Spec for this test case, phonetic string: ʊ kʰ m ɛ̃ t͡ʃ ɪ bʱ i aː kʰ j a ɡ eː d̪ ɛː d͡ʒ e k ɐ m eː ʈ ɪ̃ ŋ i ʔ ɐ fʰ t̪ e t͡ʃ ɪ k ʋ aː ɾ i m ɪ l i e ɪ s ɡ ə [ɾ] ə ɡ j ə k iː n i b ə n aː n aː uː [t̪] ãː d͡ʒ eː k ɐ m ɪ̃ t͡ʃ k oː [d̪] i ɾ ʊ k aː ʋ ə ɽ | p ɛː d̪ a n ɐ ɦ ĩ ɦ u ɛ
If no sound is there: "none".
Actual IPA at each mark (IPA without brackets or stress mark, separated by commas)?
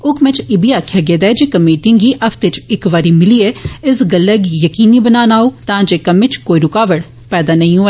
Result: l, t̪, none